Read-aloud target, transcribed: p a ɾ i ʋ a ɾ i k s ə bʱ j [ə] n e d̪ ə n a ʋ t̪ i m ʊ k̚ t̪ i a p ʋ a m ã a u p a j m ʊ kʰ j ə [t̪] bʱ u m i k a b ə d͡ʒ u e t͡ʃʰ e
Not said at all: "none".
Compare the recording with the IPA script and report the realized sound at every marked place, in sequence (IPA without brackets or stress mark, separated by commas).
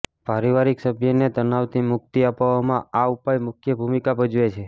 ə, none